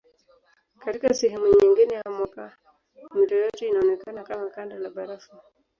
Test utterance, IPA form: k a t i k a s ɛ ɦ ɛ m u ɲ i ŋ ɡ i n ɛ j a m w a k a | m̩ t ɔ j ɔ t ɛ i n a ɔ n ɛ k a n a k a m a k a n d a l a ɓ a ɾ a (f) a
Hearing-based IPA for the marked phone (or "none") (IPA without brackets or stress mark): f